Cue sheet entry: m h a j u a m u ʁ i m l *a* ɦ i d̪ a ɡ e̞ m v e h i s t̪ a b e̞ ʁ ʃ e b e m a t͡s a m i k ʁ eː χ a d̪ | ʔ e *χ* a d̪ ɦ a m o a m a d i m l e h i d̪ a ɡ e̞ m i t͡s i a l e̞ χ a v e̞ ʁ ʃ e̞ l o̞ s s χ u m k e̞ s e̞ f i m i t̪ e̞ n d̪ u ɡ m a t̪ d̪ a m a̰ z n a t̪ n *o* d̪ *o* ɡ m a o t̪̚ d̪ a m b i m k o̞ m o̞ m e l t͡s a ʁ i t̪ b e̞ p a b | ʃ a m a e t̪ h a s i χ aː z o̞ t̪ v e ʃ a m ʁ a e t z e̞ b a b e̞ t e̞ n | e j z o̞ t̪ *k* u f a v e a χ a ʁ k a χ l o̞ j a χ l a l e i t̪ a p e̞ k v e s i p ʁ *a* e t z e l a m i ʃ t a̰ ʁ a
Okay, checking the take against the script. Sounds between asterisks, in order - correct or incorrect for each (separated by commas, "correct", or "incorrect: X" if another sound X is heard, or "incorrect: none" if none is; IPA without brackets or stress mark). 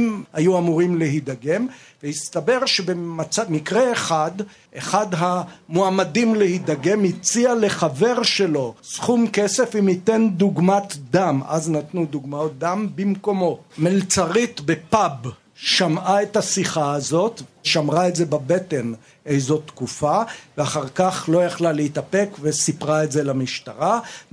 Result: incorrect: e, correct, incorrect: u, incorrect: u, correct, correct